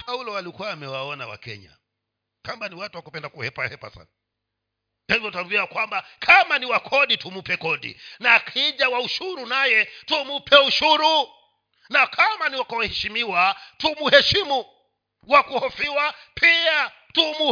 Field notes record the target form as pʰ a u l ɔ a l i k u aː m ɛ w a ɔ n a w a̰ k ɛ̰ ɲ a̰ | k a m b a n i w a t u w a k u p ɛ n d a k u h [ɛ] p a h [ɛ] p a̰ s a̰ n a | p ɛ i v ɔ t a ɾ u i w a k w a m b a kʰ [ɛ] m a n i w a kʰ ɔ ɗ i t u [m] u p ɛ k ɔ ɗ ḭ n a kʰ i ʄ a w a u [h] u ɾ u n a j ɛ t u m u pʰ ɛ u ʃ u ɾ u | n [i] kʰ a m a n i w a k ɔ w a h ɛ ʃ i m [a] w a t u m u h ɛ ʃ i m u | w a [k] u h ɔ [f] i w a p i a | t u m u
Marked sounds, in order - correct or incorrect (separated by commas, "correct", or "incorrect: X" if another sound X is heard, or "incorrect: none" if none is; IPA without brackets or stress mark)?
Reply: correct, correct, incorrect: a, correct, incorrect: ʃ, incorrect: a, incorrect: i, correct, correct